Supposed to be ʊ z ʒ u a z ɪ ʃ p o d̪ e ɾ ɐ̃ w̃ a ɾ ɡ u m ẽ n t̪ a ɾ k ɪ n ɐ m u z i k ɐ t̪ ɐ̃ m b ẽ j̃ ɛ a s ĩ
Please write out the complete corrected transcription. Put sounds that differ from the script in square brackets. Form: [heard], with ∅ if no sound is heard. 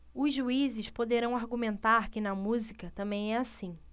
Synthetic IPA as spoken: ʊ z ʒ u [i] z ɪ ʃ p o d̪ e ɾ ɐ̃ w̃ a ɾ ɡ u m ẽ n t̪ a ɾ k ɪ n ɐ m u z i k ɐ t̪ ɐ̃ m b ẽ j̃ ɛ a s ĩ